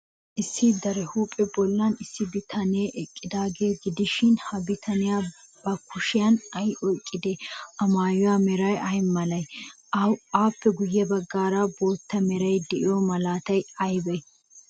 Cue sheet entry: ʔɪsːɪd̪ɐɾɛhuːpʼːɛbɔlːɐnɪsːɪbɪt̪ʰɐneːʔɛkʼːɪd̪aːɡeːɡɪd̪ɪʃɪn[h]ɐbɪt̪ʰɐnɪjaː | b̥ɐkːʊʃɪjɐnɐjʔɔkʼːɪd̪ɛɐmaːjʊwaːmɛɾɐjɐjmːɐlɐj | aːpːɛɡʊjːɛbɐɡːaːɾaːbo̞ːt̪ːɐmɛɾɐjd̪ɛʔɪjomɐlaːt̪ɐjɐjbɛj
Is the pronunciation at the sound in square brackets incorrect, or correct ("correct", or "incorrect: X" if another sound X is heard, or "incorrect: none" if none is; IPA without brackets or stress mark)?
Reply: correct